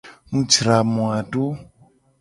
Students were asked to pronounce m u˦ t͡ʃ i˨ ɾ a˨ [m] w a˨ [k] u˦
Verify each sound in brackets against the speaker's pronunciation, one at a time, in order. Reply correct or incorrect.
correct, incorrect: t

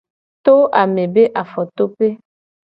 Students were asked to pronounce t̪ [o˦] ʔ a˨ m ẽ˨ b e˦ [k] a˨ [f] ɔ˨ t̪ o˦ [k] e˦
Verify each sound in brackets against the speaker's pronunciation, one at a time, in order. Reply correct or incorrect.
correct, incorrect: ʔ, correct, incorrect: p

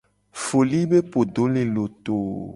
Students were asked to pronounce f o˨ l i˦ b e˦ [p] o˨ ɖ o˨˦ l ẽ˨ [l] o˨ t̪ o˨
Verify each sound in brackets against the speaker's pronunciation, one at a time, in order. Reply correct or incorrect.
correct, correct

